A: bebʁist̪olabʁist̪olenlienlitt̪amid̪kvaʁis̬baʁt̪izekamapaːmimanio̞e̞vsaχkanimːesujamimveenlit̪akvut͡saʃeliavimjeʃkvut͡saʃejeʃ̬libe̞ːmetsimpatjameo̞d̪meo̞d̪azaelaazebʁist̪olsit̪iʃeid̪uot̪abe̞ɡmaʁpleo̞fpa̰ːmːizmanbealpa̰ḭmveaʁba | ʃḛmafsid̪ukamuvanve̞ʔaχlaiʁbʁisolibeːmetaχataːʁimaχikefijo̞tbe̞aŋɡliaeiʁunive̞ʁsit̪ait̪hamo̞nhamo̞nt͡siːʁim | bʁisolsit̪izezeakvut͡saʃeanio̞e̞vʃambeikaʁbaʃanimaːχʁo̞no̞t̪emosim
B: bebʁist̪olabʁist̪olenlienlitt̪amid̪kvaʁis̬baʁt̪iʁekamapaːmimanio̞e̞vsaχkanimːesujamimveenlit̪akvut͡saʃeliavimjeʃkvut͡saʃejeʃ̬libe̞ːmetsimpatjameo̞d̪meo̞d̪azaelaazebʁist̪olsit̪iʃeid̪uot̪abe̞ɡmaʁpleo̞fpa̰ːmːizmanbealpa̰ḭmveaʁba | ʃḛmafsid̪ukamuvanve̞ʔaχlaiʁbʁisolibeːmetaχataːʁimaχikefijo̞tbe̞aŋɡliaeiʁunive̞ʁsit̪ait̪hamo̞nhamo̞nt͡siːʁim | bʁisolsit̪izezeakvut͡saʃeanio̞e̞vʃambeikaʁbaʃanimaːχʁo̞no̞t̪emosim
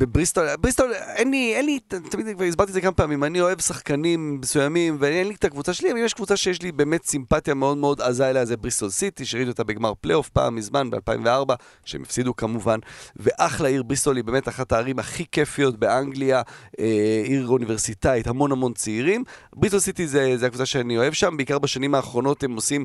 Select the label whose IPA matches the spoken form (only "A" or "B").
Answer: A